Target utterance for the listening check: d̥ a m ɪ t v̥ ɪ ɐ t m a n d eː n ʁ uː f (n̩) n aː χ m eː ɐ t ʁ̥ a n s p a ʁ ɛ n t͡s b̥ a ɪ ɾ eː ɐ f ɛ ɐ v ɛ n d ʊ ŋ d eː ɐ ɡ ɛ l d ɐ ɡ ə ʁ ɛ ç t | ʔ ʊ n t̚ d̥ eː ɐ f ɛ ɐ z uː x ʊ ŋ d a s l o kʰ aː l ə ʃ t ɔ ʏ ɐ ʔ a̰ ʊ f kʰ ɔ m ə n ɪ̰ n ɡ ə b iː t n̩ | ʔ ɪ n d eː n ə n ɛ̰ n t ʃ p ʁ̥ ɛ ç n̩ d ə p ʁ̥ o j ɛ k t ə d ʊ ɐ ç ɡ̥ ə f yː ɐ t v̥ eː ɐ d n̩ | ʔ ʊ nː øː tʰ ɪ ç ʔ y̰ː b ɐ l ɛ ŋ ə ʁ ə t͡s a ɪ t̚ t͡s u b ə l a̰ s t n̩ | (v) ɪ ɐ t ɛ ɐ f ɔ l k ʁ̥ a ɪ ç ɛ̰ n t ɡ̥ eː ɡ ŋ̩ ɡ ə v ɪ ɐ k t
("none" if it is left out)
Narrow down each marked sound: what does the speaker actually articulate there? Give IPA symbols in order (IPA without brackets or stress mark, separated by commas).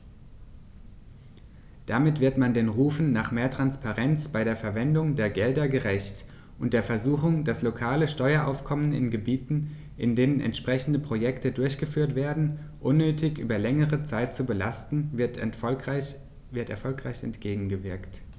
n̩, v